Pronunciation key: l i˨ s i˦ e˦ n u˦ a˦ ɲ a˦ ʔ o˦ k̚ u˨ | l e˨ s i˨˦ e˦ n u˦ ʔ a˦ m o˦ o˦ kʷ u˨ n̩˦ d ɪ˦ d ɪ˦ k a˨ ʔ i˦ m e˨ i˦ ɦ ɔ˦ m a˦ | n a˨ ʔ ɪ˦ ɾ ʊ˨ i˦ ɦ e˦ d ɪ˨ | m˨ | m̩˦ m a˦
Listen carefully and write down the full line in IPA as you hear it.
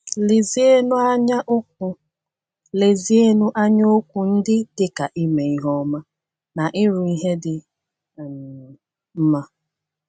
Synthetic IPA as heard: l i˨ z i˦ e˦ n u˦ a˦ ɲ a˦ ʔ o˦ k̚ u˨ | l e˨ z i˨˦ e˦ n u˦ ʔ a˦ ɲ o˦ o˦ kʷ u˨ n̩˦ d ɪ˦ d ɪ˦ k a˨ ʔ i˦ m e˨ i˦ ɦ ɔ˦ m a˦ | n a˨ ʔ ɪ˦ ɾ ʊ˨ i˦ ɦ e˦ d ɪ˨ | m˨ | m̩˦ m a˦